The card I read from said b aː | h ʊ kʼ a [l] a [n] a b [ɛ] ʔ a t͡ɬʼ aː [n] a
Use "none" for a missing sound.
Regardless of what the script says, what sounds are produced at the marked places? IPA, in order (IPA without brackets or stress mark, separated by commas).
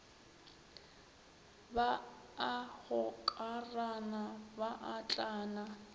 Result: r, n, a, n